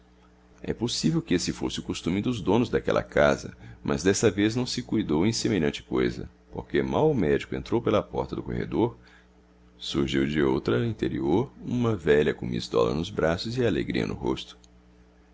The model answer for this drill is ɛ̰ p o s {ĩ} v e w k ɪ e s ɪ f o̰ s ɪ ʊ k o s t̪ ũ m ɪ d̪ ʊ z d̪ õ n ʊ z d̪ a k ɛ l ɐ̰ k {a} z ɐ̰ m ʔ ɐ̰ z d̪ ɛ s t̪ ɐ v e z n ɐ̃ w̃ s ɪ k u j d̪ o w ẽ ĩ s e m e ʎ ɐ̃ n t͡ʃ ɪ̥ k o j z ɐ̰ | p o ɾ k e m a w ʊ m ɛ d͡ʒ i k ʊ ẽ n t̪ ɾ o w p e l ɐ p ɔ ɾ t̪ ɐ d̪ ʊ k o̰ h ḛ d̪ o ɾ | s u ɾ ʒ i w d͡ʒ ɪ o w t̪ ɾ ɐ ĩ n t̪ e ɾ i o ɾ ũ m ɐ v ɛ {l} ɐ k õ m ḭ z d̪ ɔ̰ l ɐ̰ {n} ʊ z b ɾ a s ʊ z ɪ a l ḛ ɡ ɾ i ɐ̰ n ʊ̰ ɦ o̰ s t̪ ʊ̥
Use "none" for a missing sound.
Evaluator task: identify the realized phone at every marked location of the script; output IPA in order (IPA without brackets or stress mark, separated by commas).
i, a, ʎ, n